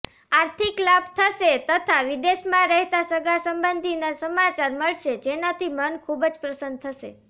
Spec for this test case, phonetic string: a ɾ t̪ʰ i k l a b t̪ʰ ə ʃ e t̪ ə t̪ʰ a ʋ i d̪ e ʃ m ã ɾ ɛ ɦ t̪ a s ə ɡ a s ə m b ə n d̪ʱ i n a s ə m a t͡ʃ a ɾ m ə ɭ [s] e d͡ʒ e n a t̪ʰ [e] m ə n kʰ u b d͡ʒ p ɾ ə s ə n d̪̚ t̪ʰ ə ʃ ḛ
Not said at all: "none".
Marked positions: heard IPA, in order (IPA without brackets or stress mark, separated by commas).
ʃ, i